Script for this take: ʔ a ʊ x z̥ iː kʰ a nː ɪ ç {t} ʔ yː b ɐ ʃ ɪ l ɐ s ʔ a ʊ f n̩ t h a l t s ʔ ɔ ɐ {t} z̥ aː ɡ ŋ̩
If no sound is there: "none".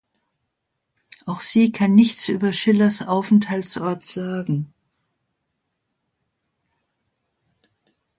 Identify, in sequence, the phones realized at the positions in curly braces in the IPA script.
t͡s, t

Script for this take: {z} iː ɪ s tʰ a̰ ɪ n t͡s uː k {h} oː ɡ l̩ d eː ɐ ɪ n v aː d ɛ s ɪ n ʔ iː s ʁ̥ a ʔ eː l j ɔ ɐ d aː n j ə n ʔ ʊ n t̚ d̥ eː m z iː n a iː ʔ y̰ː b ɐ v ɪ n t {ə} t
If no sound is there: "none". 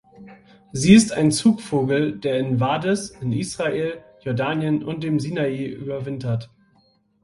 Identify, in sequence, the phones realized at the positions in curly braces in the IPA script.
z, f, ɐ

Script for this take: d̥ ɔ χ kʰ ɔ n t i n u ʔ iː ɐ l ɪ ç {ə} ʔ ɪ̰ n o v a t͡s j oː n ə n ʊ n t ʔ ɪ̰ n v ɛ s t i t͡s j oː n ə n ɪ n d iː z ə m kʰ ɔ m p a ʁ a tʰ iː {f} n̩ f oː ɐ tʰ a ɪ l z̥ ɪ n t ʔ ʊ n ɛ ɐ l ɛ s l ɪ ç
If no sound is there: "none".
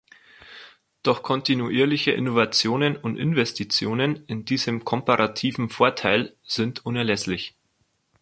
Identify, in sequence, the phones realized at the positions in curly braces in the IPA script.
ə, v

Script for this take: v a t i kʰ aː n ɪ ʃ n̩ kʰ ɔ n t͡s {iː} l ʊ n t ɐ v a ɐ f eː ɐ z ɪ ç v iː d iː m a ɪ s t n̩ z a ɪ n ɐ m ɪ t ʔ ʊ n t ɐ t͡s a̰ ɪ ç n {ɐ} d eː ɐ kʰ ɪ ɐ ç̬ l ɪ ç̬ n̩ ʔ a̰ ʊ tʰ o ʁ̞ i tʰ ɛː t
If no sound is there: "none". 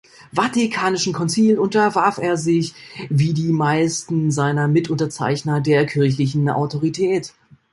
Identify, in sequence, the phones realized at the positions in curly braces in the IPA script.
iː, ɐ

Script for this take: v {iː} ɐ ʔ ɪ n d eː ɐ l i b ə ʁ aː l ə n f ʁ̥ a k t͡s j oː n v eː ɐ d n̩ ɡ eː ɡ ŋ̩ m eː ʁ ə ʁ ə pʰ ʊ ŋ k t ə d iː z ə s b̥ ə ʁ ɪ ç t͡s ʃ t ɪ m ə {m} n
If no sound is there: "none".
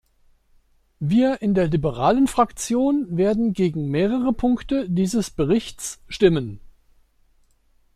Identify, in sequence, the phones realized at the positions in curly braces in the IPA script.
iː, none

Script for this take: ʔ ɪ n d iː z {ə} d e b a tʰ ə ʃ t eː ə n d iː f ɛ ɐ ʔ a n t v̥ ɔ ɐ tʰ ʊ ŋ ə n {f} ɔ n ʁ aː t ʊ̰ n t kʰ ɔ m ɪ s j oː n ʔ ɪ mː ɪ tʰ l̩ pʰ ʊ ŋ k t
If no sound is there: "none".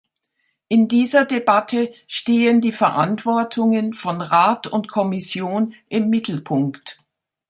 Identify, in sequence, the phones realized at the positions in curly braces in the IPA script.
ɐ, f

